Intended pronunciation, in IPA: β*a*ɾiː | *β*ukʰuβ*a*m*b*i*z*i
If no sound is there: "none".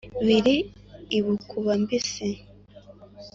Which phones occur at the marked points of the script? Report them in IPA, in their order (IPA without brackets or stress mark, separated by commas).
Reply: i, β, a, b, s